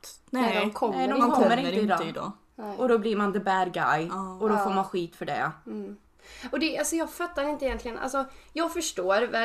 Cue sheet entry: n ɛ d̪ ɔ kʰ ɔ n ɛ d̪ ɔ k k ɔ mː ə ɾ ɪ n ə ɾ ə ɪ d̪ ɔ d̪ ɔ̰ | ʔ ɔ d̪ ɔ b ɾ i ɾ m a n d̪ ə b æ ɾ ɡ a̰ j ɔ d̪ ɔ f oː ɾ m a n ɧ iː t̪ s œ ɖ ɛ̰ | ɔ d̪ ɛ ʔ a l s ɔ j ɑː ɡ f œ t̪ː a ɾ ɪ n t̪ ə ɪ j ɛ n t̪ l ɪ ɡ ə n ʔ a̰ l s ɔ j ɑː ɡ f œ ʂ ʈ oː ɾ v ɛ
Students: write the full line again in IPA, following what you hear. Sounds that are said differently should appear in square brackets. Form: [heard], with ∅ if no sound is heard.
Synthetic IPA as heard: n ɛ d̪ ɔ kʰ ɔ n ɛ d̪ ɔ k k ɔ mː ə ɾ ɪ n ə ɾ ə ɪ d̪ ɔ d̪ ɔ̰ | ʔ ɔ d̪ ɔ b [l] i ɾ m a n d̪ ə b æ ɾ ɡ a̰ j ɔ d̪ ɔ f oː ɾ m a n ɧ iː t̪ [f] œ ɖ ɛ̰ | ɔ d̪ ɛ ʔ a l s ɔ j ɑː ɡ f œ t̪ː a ɾ ɪ n t̪ ə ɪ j ɛ n t̪ l ɪ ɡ ə n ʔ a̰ l s ɔ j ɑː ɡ f œ ʂ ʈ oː ɾ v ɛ